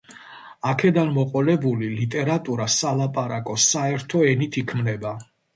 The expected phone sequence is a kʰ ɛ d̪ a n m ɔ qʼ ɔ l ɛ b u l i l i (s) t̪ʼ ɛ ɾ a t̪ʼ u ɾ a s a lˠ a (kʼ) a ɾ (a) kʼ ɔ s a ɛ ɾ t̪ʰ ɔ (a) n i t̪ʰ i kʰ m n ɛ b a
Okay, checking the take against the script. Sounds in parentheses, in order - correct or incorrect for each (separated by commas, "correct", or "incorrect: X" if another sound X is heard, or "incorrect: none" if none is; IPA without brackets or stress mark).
incorrect: none, incorrect: pʼ, correct, incorrect: ɛ